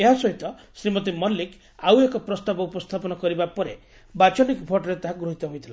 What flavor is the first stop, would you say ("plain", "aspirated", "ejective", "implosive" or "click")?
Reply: plain